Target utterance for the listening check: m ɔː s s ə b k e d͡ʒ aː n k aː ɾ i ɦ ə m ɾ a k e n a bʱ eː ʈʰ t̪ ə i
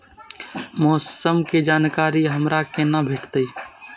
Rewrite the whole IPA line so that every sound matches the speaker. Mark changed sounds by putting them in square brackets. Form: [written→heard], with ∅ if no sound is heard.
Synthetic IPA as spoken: m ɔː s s ə [b→m] k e d͡ʒ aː n k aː ɾ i ɦ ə m ɾ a k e n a bʱ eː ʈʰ t̪ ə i